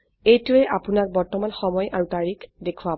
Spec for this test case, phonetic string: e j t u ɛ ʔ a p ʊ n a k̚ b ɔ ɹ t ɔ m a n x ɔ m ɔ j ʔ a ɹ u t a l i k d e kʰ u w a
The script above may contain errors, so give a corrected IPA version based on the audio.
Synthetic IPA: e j t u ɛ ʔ a p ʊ n a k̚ b ɔ ɹ t ɔ m a n x ɔ m ɔ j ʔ a ɹ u t a ɹ i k d e kʰ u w a